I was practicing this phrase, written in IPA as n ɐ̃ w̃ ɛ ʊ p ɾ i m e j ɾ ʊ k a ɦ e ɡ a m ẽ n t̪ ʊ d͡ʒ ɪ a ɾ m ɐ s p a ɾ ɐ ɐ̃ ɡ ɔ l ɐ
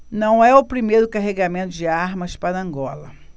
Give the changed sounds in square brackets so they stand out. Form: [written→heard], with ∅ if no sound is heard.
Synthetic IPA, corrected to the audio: n ɐ̃ w̃ ɛ ʊ p ɾ i m e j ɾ ʊ k a ɦ e ɡ a m ẽ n t̪ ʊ d͡ʒ ɪ a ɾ m ɐ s p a ɾ ɐ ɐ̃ ɡ ɔ l ɐ